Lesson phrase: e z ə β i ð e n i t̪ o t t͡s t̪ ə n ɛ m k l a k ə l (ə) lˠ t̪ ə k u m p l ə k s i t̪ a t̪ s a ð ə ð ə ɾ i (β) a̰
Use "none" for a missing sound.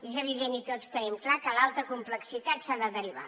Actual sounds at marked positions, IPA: a, β

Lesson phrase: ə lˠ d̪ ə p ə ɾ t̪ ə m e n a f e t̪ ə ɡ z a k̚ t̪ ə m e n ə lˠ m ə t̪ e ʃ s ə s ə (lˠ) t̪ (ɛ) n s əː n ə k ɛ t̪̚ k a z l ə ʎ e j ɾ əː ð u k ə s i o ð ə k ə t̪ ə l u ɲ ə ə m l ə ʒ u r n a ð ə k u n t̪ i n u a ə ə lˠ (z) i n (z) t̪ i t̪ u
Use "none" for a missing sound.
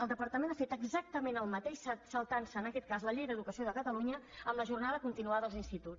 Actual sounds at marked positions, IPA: lˠ, a, z, s

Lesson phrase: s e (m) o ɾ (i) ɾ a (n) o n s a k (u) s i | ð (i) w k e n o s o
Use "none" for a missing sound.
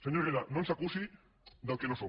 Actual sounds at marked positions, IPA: ɲ, e, n, u, a

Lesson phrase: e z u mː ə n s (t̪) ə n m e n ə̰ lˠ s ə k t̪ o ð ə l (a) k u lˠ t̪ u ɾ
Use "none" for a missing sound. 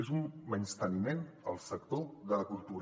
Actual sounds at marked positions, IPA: t̪, ə

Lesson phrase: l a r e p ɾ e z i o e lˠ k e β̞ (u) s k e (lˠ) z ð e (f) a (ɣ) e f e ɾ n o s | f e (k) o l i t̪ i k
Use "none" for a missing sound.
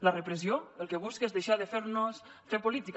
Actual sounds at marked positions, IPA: u, none, ʃ, ð, p

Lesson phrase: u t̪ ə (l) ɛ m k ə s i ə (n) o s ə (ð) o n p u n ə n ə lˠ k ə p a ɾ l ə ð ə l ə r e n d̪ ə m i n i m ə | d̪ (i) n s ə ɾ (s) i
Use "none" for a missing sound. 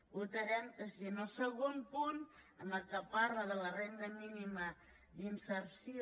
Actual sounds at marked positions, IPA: ɾ, n, ɣ, i, s

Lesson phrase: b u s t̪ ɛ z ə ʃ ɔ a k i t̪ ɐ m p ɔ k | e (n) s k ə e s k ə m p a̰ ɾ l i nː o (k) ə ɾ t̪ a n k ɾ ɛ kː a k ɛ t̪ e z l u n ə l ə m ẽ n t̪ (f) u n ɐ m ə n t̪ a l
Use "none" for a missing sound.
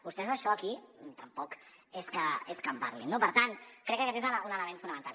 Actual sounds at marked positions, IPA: none, p, f

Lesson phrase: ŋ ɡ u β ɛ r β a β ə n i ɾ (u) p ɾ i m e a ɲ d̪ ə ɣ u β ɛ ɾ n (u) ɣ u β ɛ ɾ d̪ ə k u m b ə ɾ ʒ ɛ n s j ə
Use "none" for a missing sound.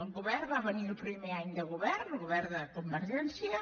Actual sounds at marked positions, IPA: u, u

